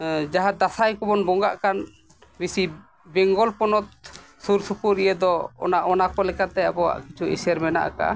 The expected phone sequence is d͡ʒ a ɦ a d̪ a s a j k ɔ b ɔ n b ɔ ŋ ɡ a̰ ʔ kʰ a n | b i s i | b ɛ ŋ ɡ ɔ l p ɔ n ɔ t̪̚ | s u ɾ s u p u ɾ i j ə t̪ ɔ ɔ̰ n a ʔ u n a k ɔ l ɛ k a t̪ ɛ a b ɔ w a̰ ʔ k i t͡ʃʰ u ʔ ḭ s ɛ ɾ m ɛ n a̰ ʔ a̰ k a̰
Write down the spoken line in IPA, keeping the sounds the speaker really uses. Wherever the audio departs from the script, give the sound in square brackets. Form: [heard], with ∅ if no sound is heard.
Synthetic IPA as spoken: d͡ʒ a ɦ a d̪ a s a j k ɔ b ɔ n b ɔ ŋ ɡ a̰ ʔ [k] a n | b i s i | b ɛ ŋ ɡ ɔ l p ɔ n ɔ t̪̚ | s u ɾ s u p u ɾ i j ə [d̪] ɔ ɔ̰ n a ʔ [ɔ] n a k ɔ l ɛ k a t̪ ɛ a b ɔ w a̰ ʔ k i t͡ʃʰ u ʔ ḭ s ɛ ɾ m ɛ n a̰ ʔ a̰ k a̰